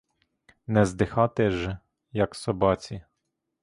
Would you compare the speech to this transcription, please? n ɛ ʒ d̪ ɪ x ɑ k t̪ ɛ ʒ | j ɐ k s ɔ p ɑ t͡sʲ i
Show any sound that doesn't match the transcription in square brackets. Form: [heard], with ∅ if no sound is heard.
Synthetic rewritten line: n ɛ [z] d̪ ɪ x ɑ [∅] t̪ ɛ ʒ | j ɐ k s ɔ [b] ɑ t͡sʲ i